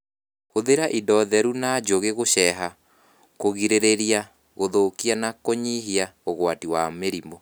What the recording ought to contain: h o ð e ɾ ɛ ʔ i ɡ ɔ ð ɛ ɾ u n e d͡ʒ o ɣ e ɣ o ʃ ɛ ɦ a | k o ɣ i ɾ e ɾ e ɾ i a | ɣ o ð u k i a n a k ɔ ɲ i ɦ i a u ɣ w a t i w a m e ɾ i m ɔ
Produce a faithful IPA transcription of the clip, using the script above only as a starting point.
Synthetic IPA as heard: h o ð e ɾ a ʔ i d ɔ ð ɛ ɾ u n a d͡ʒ o ɣ e ɣ o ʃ ɛ ɦ a | k o ɣ i ɾ e ɾ e ɾ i a | ɣ o ð o k i a n a k o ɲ i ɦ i a o ɣ w a t i w a m e ɾ i m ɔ